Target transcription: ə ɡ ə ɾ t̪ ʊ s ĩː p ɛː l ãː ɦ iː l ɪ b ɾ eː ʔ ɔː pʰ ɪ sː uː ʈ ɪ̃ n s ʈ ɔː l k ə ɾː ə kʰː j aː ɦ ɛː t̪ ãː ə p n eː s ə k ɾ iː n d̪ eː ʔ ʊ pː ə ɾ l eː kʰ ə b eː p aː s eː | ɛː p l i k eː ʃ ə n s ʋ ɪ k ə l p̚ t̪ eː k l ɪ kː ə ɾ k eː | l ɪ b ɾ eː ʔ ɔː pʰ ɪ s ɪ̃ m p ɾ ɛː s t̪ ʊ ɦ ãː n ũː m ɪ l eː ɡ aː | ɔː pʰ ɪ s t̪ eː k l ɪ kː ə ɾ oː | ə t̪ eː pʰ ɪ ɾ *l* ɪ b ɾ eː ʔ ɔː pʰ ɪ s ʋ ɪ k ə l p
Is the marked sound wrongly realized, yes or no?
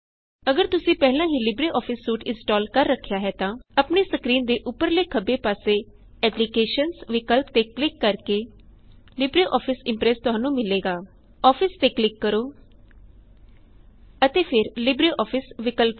no